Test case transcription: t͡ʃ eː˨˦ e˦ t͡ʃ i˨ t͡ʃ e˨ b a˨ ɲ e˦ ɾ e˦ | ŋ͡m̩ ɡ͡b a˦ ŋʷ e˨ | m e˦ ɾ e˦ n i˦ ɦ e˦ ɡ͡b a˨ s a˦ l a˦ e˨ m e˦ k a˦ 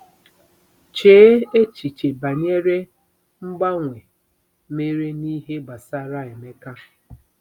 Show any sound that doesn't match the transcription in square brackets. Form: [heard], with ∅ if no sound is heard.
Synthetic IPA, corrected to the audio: t͡ʃ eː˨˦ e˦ t͡ʃ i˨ t͡ʃ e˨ b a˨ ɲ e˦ ɾ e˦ | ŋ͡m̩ ɡ͡b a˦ ŋʷ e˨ | m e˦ ɾ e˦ n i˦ ɦ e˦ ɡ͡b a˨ s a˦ [ɾ] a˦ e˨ m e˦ k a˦

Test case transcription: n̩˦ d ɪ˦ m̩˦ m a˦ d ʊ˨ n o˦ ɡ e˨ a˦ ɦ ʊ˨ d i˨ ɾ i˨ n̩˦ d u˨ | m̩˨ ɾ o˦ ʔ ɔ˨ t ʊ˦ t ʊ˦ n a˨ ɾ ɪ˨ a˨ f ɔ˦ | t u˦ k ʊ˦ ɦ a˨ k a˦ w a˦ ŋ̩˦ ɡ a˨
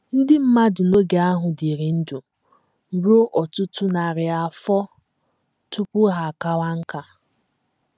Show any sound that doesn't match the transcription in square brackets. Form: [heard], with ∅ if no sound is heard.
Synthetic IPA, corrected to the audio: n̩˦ d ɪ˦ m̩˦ m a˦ d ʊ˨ n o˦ ɡ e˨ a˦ ɦ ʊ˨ d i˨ ɾ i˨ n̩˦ d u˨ | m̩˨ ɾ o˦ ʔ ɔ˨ t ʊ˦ t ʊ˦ n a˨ ɾ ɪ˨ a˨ f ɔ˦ | t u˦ [p] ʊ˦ ɦ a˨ k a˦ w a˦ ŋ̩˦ [k] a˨

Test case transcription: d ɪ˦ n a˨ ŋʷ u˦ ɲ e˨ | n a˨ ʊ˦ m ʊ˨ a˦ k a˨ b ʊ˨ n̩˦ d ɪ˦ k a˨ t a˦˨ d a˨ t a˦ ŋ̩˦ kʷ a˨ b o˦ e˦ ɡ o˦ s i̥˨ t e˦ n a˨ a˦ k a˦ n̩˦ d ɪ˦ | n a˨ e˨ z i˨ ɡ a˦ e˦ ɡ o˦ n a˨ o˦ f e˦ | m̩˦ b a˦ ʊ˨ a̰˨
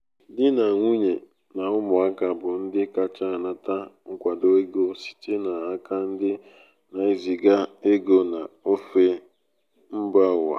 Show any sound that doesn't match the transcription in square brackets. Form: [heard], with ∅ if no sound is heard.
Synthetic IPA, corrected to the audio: d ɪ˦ n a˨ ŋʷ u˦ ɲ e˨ | n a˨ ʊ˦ m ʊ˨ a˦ k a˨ b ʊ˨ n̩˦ d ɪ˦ k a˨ [t͡ʃ] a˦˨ [n] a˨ t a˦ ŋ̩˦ kʷ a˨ [d] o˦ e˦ ɡ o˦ s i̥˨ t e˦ n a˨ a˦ k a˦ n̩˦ d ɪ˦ | n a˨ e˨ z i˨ ɡ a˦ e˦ ɡ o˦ n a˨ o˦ f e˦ | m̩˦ b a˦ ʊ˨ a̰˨

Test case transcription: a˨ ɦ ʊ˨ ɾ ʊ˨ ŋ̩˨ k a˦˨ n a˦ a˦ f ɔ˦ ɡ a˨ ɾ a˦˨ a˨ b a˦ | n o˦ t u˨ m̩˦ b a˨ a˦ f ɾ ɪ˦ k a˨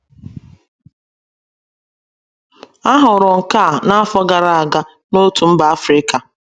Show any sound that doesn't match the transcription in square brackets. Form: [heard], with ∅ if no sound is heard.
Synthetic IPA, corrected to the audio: [a˦] ɦ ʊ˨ ɾ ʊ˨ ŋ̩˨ k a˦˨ n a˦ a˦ f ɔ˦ ɡ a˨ ɾ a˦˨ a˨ [ɡ] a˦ | n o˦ t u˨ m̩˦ b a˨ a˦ f ɾ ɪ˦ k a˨

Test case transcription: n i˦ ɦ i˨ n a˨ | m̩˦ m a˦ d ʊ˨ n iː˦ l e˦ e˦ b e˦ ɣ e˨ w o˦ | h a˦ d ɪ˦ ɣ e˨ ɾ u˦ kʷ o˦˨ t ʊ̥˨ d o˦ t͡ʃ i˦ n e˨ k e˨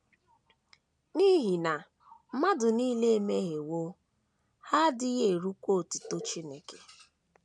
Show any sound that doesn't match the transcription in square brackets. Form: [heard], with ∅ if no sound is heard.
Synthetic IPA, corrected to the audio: n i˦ ɦ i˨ n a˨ | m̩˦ m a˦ d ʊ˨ n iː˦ l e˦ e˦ [m] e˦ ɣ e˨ w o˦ | h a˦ d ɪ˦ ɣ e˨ ɾ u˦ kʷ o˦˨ t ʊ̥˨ [t] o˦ t͡ʃ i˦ n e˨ k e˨

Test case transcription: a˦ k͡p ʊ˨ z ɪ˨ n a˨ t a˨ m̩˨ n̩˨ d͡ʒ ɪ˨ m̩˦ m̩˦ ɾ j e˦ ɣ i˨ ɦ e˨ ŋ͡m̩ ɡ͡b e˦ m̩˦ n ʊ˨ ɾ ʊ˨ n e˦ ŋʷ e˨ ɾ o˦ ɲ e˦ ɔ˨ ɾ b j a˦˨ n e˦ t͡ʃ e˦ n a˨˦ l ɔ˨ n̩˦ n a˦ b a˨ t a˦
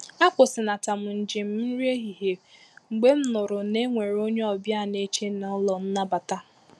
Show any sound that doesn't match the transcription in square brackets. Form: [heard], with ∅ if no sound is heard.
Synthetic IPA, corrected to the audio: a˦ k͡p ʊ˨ [s] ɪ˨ n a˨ t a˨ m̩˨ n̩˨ d͡ʒ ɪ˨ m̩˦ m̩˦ ɾ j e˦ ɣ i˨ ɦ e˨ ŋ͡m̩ ɡ͡b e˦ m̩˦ n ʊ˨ ɾ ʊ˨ n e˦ ŋʷ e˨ ɾ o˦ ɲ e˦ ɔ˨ [∅] b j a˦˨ n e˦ t͡ʃ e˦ n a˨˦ l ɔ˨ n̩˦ n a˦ b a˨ t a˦

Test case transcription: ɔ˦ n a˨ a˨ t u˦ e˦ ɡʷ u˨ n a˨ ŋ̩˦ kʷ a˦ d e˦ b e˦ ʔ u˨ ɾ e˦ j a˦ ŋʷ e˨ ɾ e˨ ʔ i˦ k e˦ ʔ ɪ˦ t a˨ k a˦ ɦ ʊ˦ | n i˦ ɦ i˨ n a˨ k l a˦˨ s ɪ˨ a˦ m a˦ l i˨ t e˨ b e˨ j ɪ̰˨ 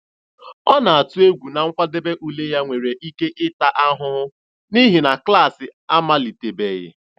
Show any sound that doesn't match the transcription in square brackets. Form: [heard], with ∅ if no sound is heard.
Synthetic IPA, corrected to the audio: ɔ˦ n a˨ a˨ t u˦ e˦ ɡʷ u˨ n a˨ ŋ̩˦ kʷ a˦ d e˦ b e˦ ʔ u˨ [l] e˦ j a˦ ŋʷ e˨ ɾ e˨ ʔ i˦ k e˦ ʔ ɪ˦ t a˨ [ʔ] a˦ ɦ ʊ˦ | n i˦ ɦ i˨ n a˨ k l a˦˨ s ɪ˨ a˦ m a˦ l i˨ t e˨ b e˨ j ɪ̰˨

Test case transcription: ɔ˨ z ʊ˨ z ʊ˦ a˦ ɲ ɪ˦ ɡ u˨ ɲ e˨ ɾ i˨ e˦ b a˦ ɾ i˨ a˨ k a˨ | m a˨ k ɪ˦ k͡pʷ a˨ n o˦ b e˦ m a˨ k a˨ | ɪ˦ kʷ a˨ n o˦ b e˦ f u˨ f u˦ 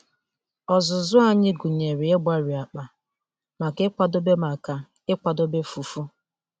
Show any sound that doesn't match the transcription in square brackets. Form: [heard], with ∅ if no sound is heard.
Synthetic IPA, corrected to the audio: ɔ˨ z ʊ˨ z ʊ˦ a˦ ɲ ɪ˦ ɡ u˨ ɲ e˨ ɾ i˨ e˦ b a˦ ɾ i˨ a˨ [k͡p] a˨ | m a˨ k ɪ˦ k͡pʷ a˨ [d] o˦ b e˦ m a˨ k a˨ | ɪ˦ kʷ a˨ [d] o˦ b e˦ f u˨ f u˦

